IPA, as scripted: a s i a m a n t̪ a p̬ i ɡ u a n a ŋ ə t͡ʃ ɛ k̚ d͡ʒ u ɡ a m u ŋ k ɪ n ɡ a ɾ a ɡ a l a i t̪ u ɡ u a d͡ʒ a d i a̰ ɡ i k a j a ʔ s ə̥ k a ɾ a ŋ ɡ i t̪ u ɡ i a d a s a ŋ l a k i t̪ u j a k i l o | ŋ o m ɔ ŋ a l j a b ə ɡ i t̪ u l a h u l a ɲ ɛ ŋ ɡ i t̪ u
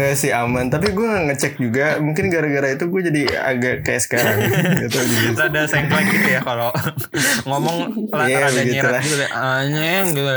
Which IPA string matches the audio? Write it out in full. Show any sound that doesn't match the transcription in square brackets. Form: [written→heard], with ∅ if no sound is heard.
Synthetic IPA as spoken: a s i a m a n t̪ a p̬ i ɡ u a [n→ŋ] a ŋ ə t͡ʃ ɛ k̚ d͡ʒ u ɡ a m u ŋ k ɪ n ɡ a ɾ a ɡ a [l→ɾ] a i t̪ u ɡ u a d͡ʒ a d i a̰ ɡ [i→a] k a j a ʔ s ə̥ k a ɾ a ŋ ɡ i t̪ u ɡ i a d a s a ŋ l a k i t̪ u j a k [i→a] l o | ŋ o m ɔ ŋ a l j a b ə ɡ i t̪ u l a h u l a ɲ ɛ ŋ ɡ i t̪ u